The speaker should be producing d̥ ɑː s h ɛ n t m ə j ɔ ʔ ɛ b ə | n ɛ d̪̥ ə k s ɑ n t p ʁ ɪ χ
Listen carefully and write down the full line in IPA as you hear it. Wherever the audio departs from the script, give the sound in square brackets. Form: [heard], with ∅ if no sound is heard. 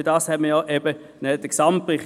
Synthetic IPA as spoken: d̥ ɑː s h ɛ [∅] t m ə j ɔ ʔ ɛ b ə | n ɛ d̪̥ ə k s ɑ [m] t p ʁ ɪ χ

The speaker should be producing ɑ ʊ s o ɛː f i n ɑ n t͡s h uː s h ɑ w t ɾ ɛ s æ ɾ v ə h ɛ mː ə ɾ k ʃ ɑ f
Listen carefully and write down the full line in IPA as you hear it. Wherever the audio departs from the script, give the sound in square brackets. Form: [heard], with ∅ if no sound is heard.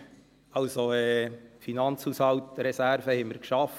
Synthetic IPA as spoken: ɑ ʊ s o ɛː f i n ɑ n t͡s h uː s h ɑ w t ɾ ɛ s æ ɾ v ə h ɛ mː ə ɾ k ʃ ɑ f

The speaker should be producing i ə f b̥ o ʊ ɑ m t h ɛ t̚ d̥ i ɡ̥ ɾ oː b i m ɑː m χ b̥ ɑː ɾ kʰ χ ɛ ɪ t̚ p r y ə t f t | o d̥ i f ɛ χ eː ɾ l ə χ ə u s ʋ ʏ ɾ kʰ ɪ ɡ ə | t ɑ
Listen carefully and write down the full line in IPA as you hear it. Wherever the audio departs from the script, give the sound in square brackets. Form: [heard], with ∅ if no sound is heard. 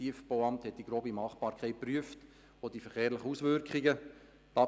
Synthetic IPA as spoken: i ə f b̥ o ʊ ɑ m t h ɛ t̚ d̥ i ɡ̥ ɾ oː b i m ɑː [∅] χ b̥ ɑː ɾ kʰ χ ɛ ɪ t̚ p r y ə [∅] f t | o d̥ i f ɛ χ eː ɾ l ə χ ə u s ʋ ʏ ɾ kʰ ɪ ɡ ə | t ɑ

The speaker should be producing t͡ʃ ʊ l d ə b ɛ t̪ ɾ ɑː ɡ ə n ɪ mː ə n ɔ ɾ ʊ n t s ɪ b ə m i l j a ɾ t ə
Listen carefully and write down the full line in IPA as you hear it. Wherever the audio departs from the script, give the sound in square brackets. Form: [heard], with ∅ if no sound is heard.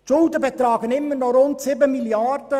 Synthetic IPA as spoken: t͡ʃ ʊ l d ə b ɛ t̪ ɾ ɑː ɡ ə n ɪ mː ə n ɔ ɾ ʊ n t s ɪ b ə m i l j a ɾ [d] ə

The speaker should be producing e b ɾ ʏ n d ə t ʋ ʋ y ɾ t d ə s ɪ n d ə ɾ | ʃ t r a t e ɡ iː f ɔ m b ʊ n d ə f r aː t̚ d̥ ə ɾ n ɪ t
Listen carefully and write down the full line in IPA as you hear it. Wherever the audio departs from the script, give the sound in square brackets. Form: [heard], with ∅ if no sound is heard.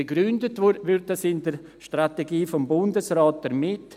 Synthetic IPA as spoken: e [ɡ] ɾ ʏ n d ə t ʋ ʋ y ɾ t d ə s ɪ n d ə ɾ | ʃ t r a t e ɡ iː f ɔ m b ʊ n d ə [s] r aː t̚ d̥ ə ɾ [m] ɪ t

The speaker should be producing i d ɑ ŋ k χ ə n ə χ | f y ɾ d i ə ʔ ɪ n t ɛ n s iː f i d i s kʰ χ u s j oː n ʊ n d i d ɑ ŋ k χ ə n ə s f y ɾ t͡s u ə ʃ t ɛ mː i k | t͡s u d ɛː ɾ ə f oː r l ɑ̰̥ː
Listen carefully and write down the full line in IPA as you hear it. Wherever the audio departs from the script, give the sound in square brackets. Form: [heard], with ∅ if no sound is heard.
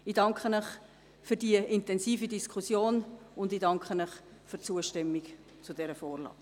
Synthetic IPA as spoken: i d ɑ ŋ k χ ə n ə χ | f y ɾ d i ə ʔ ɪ n t ɛ n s iː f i d i s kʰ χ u s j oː n ʊ n d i d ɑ ŋ k χ ə n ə [χ] f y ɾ t͡s u ə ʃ t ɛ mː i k | t͡s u d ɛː ɾ ə f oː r l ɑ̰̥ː

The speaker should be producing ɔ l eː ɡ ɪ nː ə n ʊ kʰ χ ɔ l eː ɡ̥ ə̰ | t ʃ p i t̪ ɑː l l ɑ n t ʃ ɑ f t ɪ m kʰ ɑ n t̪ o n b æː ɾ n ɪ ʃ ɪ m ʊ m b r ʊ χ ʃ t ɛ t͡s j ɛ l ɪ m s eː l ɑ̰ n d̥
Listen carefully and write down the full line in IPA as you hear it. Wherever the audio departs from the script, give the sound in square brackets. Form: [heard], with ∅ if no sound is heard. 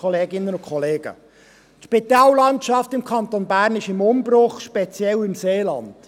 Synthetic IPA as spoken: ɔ l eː ɡ ɪ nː ə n ʊ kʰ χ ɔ l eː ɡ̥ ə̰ | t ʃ p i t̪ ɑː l l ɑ n t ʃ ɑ f t ɪ m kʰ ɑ n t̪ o n b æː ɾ n ɪ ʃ ɪ m ʊ m b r ʊ χ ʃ [p] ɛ t͡s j ɛ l ɪ m s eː l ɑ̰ n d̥

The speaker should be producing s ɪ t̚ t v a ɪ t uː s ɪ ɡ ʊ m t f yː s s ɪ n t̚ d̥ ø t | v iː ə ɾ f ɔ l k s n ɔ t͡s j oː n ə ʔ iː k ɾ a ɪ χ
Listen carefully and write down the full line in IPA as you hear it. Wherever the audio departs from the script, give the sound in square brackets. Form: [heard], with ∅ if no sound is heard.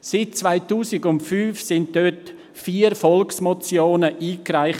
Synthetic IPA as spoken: s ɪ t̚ [t͡s] v a ɪ t uː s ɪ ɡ ʊ [n] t f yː [f] s ɪ n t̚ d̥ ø t | [f] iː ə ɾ f ɔ l k s [m] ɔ t͡s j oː n ə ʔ iː k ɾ a ɪ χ

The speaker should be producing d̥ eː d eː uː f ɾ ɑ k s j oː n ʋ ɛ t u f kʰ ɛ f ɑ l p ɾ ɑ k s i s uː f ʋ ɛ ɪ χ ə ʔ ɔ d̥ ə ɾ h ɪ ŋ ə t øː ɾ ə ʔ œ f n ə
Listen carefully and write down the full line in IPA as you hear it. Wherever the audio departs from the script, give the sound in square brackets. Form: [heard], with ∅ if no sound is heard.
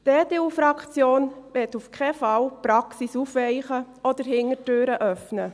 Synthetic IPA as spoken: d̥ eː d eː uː f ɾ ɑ k [t͡s] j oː n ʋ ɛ t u f kʰ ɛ f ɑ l p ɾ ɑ k s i s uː f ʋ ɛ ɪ χ ə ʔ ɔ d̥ ə ɾ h ɪ ŋ ə t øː ɾ ə ʔ œ f n ə

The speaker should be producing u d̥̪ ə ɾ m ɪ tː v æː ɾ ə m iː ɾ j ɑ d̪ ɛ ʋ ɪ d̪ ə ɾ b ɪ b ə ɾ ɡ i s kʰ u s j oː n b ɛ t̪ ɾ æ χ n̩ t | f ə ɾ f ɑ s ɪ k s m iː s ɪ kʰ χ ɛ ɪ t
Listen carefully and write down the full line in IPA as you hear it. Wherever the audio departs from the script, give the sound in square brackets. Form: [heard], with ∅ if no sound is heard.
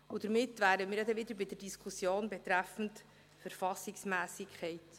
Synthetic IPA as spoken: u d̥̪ ə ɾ m ɪ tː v æː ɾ ə m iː ɾ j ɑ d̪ ɛ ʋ ɪ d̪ ə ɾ b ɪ [d] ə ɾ [d] i s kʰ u s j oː n b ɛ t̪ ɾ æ [f] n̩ t | f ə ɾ f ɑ s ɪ k s m [æː] s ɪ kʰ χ ɛ ɪ t

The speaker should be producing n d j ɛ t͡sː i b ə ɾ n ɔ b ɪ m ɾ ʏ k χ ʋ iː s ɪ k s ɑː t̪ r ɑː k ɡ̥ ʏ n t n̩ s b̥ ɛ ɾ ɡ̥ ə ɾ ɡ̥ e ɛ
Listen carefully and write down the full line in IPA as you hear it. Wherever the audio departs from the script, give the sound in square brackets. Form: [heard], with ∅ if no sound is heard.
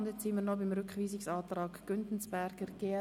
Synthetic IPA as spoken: n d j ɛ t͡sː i [m] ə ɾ n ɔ b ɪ m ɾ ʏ k χ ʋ iː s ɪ k s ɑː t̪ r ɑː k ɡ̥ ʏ n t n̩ s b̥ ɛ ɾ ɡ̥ ə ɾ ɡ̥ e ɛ

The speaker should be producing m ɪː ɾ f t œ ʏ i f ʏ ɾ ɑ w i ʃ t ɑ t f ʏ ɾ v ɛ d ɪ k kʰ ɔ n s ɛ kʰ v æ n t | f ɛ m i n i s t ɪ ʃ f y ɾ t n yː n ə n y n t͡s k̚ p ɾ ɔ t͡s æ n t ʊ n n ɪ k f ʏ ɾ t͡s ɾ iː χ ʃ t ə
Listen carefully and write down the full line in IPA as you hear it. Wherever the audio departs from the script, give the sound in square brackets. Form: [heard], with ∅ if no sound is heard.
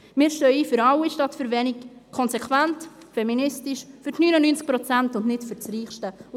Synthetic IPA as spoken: m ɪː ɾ [ʃ] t œ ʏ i f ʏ ɾ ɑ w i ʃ t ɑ t f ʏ ɾ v ɛ [n] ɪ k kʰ ɔ n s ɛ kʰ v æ n t | f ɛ m i n [ɪ] s t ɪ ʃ f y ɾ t n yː n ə n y n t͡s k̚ p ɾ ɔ t͡s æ n t ʊ n n ɪ [t] f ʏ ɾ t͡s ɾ iː χ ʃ t ə

